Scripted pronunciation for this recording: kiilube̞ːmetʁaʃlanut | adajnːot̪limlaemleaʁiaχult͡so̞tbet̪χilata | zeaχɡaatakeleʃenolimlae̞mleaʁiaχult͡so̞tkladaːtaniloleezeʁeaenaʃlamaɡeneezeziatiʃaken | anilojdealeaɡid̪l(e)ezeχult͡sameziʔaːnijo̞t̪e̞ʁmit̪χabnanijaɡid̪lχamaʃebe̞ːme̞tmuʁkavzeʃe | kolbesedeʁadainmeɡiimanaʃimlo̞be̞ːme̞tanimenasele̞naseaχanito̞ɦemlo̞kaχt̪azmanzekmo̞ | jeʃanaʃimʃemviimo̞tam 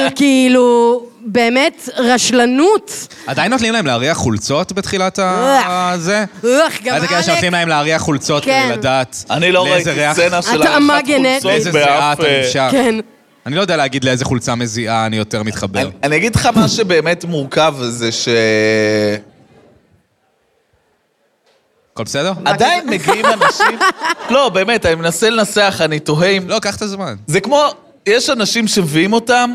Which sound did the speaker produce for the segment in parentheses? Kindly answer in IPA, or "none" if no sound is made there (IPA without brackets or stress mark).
e